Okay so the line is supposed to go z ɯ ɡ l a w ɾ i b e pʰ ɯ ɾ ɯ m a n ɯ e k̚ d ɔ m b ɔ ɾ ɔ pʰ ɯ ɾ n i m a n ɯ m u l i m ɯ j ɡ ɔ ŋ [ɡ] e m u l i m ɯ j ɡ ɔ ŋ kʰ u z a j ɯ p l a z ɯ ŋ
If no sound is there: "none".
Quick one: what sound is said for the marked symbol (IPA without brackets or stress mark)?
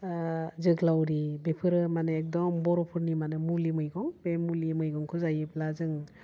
b